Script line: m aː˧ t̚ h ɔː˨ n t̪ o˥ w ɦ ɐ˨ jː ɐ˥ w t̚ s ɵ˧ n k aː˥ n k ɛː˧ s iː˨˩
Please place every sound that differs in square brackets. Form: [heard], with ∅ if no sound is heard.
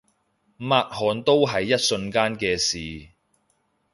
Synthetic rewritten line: m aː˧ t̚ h ɔː˨ n t̪ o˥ w ɦ ɐ˨ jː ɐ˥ [∅] t̚ s ɵ˧ n k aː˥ n k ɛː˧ s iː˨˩